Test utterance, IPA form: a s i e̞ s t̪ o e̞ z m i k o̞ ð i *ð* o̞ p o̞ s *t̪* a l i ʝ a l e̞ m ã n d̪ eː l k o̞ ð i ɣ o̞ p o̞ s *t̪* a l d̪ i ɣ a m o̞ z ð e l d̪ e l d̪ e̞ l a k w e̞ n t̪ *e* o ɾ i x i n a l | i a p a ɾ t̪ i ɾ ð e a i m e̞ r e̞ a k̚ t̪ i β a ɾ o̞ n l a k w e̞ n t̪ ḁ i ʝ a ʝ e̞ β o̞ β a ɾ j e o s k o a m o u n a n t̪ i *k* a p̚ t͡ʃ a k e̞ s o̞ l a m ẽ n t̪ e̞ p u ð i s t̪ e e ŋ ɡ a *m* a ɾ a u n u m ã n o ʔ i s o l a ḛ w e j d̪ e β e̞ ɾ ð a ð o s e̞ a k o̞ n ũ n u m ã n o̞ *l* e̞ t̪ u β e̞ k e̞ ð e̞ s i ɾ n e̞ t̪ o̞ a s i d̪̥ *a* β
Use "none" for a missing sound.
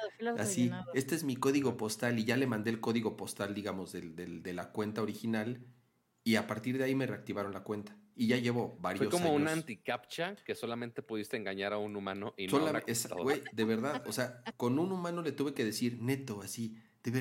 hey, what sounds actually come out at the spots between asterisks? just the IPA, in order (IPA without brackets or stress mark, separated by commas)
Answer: ɣ, t̪, t̪, a, k, ɲ, l, e